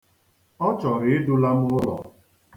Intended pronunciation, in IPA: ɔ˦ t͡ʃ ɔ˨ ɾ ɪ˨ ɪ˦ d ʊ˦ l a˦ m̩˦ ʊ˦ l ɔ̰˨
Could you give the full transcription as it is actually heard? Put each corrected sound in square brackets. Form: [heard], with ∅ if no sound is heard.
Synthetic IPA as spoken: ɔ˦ t͡ʃ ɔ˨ ɾ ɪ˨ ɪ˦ d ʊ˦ l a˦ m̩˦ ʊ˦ l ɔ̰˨